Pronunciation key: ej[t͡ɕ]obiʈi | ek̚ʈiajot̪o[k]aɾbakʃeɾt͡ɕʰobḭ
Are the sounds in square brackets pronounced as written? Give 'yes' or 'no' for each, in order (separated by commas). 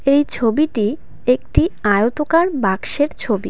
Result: no, yes